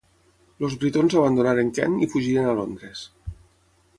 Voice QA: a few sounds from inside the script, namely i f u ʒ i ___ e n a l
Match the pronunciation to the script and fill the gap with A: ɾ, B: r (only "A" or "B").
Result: A